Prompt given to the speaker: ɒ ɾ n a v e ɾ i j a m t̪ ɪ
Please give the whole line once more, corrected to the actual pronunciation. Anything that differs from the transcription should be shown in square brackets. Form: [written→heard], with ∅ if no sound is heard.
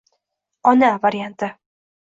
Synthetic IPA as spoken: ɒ [ɾ→∅] n a v [e→a] ɾ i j a [m→n] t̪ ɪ